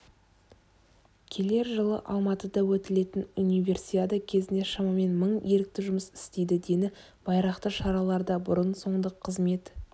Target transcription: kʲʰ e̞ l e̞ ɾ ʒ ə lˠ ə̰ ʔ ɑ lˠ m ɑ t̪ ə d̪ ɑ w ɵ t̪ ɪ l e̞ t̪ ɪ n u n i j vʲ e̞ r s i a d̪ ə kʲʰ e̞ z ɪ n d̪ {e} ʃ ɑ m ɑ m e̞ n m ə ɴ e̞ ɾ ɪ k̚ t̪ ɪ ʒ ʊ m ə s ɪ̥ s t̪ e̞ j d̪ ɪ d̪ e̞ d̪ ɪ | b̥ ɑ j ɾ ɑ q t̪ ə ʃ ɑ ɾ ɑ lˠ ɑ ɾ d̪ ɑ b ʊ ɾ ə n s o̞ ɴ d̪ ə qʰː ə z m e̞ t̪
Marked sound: correct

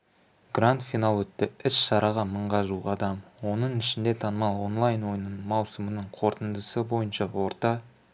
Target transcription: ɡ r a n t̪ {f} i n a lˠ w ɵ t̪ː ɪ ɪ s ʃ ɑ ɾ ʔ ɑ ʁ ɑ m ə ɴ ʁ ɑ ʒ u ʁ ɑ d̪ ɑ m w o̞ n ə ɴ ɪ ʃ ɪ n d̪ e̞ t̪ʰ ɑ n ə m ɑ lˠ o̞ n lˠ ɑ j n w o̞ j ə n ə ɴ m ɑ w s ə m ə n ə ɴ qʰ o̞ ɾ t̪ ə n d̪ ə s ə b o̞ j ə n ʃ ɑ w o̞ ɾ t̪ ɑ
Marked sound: correct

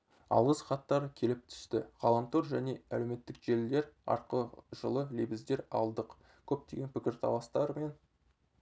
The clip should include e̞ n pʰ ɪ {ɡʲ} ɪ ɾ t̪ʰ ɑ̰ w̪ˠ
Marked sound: incorrect: kʲ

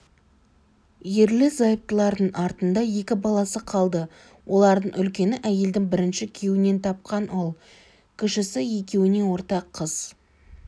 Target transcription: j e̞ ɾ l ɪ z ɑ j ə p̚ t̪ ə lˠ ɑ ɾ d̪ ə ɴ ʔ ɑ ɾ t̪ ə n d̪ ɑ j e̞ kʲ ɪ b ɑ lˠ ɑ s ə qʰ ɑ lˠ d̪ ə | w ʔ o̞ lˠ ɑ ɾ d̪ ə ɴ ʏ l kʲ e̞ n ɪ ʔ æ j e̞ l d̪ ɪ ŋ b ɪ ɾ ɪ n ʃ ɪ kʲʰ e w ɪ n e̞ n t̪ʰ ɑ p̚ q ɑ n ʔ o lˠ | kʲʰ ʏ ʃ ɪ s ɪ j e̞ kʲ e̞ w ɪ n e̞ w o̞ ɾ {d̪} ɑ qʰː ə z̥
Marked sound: incorrect: t̪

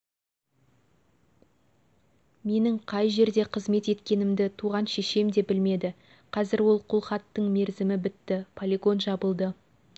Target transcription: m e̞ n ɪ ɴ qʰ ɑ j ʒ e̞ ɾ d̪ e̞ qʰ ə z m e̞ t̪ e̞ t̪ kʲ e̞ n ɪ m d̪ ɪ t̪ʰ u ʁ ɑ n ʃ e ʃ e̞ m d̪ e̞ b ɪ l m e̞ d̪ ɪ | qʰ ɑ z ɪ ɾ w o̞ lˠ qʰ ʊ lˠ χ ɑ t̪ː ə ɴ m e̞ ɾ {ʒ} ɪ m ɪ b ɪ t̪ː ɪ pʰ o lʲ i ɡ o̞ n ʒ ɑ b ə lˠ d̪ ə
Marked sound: incorrect: z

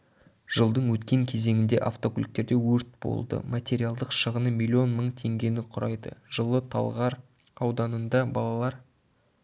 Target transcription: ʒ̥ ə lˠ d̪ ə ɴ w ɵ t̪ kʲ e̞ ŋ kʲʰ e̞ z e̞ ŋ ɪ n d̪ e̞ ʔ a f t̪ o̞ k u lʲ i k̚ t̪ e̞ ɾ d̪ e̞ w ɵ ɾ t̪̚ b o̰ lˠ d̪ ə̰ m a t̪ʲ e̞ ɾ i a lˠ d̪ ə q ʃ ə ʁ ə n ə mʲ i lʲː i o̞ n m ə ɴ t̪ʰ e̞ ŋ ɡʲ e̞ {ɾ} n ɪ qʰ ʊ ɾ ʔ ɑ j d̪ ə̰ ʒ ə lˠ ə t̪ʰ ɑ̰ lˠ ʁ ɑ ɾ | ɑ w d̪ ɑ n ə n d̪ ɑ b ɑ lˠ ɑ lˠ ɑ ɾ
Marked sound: incorrect: none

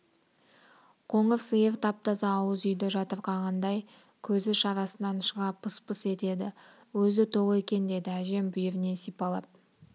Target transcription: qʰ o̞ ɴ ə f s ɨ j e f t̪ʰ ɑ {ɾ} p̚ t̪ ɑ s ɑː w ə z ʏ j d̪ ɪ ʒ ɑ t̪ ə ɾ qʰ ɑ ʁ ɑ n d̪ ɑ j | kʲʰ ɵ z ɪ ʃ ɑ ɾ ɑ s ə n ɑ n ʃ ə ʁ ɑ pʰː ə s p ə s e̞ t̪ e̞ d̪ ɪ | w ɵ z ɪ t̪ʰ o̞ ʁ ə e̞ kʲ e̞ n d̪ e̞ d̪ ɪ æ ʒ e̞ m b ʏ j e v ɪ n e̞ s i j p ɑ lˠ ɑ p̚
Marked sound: incorrect: none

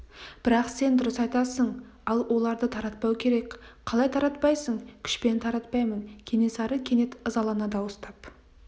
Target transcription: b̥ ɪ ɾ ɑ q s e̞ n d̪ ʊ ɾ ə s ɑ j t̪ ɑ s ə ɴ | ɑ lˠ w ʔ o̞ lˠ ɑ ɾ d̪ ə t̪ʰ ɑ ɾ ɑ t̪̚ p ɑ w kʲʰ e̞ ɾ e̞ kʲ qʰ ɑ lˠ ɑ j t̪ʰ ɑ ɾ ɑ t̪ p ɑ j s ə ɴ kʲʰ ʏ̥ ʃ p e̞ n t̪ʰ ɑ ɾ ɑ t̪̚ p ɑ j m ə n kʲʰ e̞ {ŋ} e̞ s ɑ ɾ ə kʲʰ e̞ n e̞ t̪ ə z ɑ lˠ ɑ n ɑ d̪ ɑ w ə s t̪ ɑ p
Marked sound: incorrect: n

